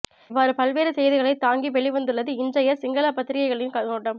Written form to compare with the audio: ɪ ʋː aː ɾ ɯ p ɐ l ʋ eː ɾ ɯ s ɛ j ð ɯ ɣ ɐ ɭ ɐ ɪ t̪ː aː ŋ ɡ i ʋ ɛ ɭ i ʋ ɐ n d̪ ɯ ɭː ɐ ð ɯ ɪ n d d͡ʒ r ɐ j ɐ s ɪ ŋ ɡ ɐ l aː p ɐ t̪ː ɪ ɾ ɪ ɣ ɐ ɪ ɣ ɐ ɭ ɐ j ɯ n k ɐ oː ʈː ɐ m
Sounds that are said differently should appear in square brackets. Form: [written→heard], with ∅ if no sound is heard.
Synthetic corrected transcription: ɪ ʋː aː ɾ ɯ p ɐ l ʋ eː ɾ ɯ s ɛ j ð ɯ ɣ ɐ ɭ ɐ ɪ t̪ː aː ŋ ɡ i ʋ ɛ ɭ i ʋ ɐ n d̪ ɯ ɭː ɐ ð ɯ ɪ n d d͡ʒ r ɐ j ɐ s ɪ ŋ ɡ ɐ l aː p ɐ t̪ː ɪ ɾ ɪ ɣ ɐ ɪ ɣ ɐ ɭ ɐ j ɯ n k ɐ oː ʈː ɐ m